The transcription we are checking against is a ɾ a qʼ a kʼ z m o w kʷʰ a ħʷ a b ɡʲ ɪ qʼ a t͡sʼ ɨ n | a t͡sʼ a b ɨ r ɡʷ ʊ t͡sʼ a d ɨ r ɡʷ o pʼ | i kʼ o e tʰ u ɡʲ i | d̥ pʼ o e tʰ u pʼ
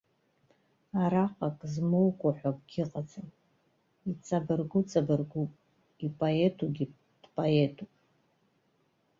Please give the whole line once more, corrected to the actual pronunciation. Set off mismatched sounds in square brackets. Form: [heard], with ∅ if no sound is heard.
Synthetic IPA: a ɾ a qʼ a kʼ z m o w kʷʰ a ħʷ a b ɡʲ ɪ qʼ a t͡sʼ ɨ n | [i] t͡sʼ a b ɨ r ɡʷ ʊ t͡sʼ a [b] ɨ r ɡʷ [u] pʼ | i [pʼ] o e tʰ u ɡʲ i | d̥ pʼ o e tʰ u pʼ